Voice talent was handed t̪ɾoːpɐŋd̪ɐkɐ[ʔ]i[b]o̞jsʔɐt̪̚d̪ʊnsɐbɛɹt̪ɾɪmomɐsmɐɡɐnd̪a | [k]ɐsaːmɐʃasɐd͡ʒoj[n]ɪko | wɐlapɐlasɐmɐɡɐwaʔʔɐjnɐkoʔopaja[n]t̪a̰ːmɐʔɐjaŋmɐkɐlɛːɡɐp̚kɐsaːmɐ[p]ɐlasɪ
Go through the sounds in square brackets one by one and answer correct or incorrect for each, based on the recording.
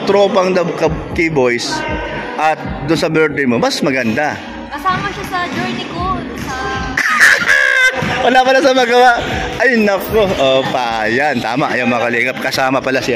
incorrect: k, correct, correct, correct, correct, correct

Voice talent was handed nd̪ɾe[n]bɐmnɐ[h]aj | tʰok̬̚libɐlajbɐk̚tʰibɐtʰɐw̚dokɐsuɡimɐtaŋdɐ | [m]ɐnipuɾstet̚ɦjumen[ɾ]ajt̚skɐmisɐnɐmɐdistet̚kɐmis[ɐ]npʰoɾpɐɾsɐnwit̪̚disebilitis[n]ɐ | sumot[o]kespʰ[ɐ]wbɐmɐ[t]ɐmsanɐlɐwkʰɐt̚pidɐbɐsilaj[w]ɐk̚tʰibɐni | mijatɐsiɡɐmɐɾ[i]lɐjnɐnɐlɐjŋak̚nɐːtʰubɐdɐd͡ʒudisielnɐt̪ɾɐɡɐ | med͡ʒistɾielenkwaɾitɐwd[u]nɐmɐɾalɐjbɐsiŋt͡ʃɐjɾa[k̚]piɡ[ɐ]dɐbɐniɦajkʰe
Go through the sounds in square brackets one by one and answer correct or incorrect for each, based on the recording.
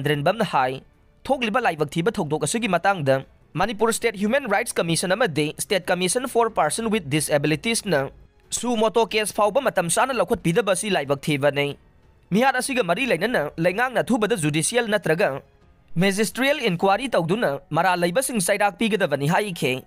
correct, correct, correct, correct, correct, correct, correct, incorrect: a, correct, incorrect: b, correct, correct, correct, correct

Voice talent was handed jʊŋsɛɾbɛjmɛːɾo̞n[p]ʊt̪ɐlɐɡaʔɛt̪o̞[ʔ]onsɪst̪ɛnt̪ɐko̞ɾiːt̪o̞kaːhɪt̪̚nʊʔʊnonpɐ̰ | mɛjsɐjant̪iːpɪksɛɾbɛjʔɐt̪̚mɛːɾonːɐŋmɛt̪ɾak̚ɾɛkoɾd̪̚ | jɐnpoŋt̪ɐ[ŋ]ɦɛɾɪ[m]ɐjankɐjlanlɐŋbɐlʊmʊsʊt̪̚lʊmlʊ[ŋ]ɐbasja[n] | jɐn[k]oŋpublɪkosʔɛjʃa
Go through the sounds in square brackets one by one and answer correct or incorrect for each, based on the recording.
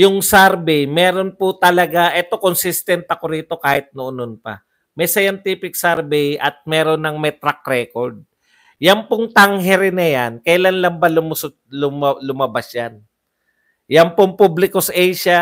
correct, incorrect: k, correct, incorrect: n, incorrect: m, correct, incorrect: p

